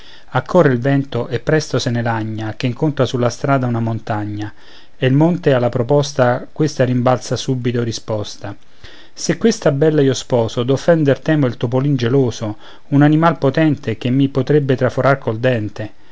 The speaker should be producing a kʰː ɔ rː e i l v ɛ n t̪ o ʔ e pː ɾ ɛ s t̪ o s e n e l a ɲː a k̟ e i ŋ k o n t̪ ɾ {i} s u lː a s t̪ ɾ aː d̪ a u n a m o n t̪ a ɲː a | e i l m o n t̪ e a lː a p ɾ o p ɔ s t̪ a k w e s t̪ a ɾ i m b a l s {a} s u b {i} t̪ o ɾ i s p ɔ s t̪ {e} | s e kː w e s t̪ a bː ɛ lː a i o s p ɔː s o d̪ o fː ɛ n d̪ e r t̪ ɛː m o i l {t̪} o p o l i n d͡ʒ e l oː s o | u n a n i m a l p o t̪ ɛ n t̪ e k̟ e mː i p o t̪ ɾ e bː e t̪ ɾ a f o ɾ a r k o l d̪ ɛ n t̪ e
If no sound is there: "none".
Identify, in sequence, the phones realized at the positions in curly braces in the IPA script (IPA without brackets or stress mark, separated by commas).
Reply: a, a, i, a, t̪